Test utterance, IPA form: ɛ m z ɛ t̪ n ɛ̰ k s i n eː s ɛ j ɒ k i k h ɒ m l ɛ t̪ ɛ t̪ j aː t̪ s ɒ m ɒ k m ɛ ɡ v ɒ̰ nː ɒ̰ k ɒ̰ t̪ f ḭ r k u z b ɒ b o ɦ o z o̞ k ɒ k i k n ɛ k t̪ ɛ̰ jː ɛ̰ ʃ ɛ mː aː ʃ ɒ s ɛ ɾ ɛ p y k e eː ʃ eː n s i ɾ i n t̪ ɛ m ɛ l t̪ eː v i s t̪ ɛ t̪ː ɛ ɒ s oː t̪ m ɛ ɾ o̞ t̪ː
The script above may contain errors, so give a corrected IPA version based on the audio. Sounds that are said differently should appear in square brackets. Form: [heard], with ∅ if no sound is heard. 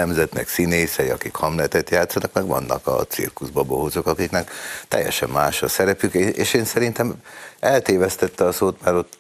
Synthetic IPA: ɛ m z ɛ t̪ n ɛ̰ k s i n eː s ɛ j ɒ k i k h ɒ m l ɛ t̪ ɛ t̪ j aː t̪ s ɒ [n] ɒ k m ɛ ɡ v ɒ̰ nː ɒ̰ k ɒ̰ t̪ [s] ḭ r k u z b ɒ b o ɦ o z o̞ k ɒ k i k n ɛ k t̪ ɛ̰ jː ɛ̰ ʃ ɛ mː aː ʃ ɒ s ɛ ɾ ɛ p y k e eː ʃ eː n s [ɛ] ɾ i n t̪ ɛ m ɛ l t̪ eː v [ɛ] s t̪ ɛ t̪ː ɛ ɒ s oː t̪ m ɛ ɾ o̞ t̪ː